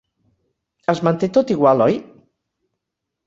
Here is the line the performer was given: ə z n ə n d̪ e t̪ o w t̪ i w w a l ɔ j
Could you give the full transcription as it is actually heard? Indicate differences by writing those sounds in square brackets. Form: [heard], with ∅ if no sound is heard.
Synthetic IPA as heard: ə z [m] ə n [t̪] e t̪ o [∅] t̪ i [ɣ] w a l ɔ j